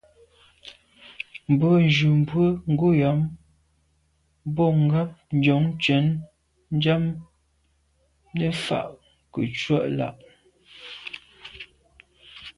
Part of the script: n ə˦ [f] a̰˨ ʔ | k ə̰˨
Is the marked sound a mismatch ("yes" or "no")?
no